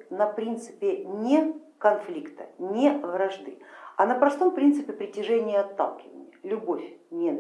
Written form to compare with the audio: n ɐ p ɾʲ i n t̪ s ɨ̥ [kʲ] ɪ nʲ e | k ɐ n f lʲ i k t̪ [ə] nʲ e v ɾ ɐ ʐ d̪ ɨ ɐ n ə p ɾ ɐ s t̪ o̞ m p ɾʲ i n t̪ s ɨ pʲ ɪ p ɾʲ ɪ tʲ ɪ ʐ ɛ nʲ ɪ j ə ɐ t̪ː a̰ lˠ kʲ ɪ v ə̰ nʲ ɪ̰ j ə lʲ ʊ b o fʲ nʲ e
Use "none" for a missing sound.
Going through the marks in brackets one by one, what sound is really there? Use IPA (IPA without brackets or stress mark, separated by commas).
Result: pʲ, ə